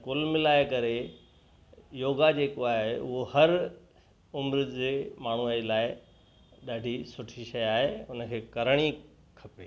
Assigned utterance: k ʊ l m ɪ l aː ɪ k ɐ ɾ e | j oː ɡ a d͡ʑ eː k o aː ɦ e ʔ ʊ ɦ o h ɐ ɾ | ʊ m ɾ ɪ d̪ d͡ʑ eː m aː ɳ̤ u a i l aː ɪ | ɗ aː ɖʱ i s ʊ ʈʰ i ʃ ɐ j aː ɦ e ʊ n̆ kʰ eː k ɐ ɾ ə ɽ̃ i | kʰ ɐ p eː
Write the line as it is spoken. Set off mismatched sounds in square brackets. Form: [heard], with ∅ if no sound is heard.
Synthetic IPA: k ʊ l m ɪ l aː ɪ k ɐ ɾ e | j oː ɡ a d͡ʑ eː k o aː ɦ e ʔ ʊ ɦ o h ɐ ɾ | ʊ m ɾ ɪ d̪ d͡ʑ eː m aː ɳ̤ u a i l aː ɪ | ɗ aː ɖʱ i s ʊ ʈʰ i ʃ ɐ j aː ɦ e ʊ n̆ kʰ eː k ɐ ɾ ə ɽ̃ i | kʰ ɐ p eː